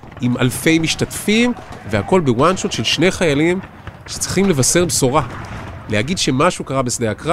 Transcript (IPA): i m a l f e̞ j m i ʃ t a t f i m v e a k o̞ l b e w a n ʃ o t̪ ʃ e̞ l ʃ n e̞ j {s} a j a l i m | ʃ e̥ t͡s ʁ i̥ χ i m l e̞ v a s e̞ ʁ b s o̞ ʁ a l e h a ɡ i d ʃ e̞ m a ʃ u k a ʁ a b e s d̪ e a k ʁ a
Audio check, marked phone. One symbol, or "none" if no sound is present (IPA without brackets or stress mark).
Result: χ